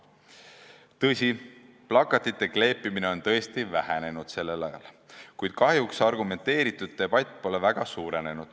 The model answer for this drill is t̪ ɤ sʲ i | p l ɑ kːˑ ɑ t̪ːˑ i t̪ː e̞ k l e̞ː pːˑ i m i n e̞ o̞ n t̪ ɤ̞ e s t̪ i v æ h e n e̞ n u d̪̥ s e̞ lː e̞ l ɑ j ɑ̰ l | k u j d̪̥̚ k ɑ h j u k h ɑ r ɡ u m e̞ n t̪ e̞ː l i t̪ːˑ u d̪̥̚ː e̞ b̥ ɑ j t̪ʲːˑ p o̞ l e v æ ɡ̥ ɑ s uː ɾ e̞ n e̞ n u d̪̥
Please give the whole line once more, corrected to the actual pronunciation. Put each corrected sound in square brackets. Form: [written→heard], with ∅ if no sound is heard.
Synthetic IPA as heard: t̪ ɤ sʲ i | p l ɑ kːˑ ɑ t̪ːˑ i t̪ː e̞ k l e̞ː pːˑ i m i n e̞ o̞ n t̪ ɤ̞ e s t̪ i v æ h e n e̞ n u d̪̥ s e̞ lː e̞ l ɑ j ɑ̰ l | k u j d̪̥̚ k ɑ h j u k [h→s] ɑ r ɡ u m e̞ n t̪ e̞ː [l→ɾ] i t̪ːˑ u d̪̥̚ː e̞ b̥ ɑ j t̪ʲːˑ p o̞ l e v æ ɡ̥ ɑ s uː ɾ e̞ n e̞ n u d̪̥